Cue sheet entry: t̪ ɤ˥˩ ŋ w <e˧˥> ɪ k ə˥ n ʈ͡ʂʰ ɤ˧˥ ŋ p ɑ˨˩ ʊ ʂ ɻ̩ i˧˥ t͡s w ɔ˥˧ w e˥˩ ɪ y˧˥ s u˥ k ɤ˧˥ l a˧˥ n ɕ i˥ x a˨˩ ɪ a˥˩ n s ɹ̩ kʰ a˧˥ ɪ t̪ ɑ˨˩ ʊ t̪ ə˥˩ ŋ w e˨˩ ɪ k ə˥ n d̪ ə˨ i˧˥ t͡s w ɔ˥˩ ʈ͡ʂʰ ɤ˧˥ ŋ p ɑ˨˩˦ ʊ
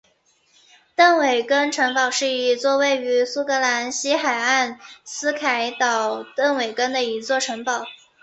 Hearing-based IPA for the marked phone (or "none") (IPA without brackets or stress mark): e˨˩